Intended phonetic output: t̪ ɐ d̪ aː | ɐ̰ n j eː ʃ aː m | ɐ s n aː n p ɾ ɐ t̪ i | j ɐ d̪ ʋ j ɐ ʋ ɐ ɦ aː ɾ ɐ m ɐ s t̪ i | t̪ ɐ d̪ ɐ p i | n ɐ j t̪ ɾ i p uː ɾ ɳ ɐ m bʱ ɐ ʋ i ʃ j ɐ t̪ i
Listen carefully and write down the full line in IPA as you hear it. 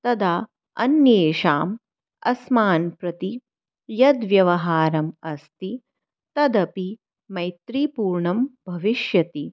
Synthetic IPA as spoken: t̪ ɐ d̪ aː | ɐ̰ n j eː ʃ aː m | ɐ s m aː n p ɾ ɐ t̪ i | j ɐ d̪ ʋ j ɐ ʋ ɐ ɦ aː ɾ ɐ m ɐ s t̪ i | t̪ ɐ d̪ ɐ p i | m ɐ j t̪ ɾ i p uː ɾ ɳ ɐ m bʱ ɐ ʋ i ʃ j ɐ t̪ i